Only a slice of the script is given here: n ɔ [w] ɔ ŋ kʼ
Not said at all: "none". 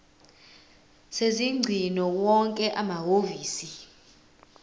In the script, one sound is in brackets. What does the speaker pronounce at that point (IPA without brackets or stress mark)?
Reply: w